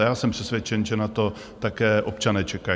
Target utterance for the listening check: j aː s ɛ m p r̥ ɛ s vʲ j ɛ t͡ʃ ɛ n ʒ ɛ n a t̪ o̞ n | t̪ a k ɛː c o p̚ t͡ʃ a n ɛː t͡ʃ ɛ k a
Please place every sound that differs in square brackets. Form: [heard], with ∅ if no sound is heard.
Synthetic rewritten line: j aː s ɛ m p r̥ ɛ s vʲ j ɛ t͡ʃ ɛ n ʒ ɛ n a t̪ o̞ [∅] | t̪ a k ɛː [ʔ] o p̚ t͡ʃ a n ɛː t͡ʃ ɛ k a